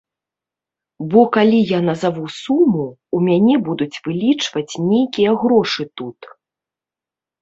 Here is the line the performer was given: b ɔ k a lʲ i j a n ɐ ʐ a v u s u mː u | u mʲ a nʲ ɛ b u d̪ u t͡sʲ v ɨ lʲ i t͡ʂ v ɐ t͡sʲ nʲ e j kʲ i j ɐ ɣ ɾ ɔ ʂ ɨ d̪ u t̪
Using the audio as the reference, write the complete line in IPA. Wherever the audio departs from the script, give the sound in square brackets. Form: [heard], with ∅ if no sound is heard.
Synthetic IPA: b ɔ k a lʲ i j a n ɐ [z] a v u s u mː u | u mʲ a nʲ ɛ b u d̪ u t͡sʲ v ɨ lʲ i t͡ʂ v ɐ t͡sʲ nʲ e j kʲ i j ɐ ɣ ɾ ɔ ʂ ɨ [t̪] u t̪